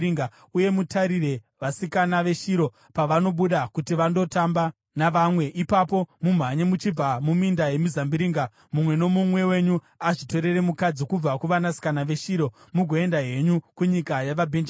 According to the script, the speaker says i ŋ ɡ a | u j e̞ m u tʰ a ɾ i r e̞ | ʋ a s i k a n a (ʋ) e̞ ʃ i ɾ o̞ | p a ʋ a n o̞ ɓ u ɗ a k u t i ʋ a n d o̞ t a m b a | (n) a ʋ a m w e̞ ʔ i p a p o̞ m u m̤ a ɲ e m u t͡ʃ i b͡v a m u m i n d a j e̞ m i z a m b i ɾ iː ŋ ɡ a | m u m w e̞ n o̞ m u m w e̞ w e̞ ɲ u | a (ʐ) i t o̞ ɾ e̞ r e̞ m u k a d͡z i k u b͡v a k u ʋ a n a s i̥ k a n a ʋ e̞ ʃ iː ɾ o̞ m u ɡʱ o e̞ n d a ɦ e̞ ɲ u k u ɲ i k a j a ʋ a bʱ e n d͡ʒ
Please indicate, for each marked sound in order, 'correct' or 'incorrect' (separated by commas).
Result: correct, correct, correct